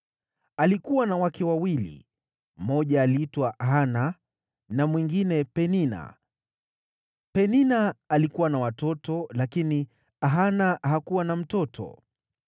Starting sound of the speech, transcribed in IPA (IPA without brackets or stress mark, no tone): a